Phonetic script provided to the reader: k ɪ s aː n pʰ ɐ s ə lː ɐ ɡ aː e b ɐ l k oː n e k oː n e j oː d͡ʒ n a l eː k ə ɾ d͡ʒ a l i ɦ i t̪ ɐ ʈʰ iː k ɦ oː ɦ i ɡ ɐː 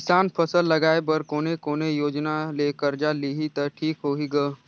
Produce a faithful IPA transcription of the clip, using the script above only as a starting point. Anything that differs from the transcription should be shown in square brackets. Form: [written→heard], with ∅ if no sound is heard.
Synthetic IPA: k ɪ s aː n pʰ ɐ s ə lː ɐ ɡ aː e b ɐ [l→ɾ] k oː n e k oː n e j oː d͡ʒ n a l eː k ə ɾ d͡ʒ a l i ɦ i t̪ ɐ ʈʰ iː k ɦ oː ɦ i ɡ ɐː